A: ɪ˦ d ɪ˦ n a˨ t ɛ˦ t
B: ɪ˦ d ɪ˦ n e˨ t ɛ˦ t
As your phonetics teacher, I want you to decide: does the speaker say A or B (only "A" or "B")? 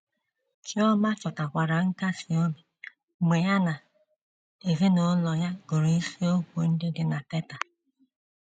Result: A